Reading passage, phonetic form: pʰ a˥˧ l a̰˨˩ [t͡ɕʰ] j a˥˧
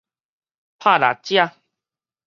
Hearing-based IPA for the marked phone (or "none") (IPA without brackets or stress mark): t͡ɕ